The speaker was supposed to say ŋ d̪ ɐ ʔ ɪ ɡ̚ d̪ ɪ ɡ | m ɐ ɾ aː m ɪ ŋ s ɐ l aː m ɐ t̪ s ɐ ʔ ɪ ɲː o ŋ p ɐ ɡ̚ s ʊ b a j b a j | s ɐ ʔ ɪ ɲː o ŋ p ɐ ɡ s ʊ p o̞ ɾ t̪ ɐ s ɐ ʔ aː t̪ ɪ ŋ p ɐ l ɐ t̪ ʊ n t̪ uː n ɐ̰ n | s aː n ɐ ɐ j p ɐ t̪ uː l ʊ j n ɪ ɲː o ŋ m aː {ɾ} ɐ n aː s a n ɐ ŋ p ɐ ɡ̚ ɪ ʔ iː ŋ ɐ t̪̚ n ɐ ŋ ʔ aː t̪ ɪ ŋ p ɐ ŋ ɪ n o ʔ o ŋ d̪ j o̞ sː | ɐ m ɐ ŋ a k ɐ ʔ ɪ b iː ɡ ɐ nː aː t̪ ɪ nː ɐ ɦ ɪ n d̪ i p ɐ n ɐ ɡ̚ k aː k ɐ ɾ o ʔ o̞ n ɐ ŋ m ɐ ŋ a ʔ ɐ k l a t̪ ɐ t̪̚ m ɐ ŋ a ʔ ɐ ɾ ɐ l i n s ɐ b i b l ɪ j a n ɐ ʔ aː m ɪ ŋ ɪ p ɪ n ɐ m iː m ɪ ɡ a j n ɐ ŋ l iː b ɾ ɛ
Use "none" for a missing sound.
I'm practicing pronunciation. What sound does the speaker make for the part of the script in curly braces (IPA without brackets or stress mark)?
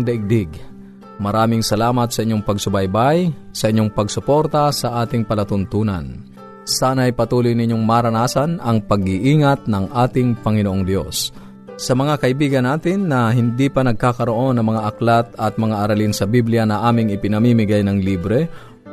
ɾ